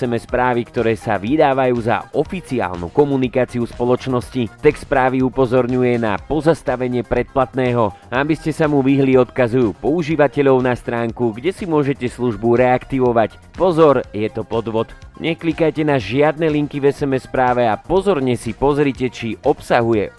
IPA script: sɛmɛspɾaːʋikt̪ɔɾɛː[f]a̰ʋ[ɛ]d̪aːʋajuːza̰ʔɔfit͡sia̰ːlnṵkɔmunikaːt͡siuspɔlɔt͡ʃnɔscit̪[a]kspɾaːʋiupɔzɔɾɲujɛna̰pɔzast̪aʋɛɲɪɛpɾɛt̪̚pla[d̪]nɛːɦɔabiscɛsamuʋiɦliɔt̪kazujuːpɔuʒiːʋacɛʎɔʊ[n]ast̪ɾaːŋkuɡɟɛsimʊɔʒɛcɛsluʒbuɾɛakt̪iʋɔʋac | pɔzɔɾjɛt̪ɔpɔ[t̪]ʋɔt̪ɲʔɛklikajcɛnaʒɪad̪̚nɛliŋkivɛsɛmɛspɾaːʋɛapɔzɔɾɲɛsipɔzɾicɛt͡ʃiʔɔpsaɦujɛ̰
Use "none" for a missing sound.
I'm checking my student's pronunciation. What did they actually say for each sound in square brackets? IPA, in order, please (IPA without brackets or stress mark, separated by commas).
s, i, ɛ, t̪, n, d̪